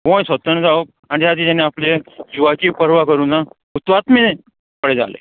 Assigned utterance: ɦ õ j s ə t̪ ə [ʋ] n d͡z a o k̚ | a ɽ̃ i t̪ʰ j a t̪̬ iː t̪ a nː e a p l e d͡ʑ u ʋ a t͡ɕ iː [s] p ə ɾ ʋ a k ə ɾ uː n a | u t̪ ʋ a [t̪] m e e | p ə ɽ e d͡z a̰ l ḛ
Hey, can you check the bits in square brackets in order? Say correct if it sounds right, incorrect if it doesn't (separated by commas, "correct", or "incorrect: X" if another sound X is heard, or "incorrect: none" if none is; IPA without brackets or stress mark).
incorrect: none, incorrect: none, correct